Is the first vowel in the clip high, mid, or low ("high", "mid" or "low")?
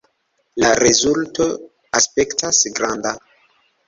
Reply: low